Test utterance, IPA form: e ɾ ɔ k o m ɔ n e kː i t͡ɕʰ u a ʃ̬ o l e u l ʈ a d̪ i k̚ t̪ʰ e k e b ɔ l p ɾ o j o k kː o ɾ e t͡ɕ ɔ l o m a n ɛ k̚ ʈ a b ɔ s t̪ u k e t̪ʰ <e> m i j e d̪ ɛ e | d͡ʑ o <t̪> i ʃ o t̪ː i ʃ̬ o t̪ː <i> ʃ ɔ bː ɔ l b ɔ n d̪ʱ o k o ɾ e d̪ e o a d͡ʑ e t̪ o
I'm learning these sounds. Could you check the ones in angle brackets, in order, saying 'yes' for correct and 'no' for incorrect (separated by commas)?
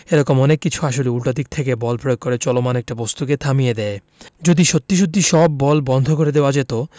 no, no, yes